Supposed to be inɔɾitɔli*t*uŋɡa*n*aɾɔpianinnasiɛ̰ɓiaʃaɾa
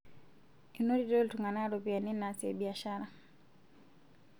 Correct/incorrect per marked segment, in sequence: correct, correct

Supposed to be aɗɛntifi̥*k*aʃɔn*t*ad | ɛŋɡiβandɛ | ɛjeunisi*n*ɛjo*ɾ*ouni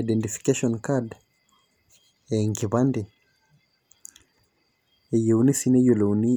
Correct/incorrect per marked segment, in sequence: correct, incorrect, correct, incorrect

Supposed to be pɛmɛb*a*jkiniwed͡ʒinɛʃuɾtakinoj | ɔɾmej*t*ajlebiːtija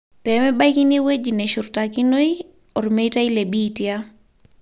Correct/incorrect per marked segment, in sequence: correct, correct

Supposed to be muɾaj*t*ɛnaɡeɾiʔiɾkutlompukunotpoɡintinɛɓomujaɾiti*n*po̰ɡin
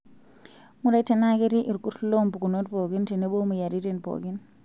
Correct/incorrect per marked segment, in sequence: correct, correct

